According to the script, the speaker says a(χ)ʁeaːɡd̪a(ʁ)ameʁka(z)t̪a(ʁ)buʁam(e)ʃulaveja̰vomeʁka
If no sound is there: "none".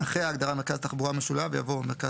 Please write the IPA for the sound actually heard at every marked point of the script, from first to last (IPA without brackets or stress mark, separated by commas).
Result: χ, ʁ, z, χ, e